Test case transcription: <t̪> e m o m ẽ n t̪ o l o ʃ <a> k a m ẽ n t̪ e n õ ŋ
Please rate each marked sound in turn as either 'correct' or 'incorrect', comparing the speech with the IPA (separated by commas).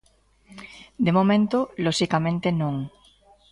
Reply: incorrect, incorrect